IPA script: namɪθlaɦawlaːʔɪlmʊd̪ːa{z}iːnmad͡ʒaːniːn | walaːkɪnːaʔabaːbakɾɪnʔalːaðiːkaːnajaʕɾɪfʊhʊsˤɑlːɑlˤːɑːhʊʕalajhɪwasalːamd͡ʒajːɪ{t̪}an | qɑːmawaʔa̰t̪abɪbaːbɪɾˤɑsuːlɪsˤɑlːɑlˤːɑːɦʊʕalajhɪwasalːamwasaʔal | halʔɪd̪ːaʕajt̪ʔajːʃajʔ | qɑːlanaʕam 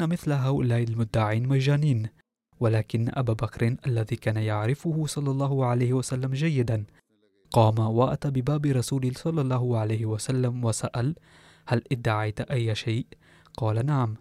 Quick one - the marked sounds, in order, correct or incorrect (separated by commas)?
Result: incorrect, incorrect